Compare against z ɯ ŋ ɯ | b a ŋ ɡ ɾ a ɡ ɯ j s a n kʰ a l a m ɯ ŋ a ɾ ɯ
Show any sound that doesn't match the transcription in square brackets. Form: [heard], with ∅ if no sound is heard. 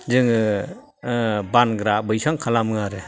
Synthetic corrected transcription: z ɯ ŋ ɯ | b a [n] ɡ ɾ a [b] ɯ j s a [ŋ] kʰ a l a m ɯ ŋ a ɾ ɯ